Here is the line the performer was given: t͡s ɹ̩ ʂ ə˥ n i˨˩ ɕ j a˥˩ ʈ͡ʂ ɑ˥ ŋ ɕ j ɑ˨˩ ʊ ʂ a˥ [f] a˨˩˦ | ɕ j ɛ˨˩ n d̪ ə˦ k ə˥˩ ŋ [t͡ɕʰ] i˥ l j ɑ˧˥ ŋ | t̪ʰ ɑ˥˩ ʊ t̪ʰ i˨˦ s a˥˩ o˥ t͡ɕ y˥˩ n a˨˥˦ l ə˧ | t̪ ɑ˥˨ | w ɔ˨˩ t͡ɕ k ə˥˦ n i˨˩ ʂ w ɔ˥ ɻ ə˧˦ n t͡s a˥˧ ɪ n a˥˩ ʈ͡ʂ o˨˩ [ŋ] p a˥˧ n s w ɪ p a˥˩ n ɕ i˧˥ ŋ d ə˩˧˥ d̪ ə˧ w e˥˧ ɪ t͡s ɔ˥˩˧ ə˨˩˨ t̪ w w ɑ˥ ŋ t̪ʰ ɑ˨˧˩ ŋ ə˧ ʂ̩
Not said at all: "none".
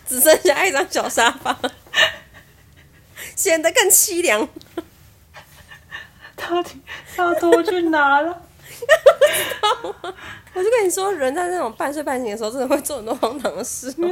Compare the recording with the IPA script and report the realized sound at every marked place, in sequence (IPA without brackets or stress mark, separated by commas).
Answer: f, t͡ɕʰ, ŋ